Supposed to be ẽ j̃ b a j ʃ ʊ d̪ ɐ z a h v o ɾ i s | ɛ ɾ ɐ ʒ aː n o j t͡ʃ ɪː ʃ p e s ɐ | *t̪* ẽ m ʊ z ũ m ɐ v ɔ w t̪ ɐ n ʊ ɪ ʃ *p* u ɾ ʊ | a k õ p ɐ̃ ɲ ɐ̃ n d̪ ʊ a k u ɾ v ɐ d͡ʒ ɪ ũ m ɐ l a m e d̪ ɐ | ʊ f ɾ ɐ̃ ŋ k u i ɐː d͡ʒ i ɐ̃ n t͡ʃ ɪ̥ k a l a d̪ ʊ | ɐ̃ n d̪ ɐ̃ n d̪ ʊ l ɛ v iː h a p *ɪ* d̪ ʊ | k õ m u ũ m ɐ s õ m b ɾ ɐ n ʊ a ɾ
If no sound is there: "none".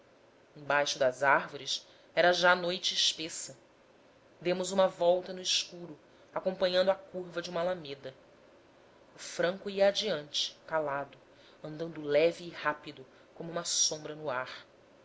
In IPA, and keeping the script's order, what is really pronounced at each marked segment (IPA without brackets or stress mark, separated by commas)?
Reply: d̪, k, i